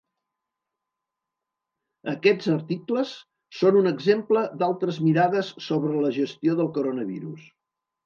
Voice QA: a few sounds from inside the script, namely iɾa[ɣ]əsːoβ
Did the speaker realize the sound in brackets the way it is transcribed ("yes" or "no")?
no